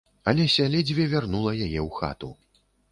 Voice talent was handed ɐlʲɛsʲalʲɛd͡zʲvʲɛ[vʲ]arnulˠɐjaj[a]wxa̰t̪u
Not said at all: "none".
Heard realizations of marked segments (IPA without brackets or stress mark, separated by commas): vʲ, ɛ